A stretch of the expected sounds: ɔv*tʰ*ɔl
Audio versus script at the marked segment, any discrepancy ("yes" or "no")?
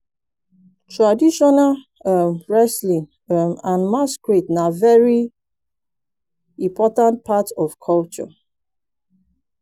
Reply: yes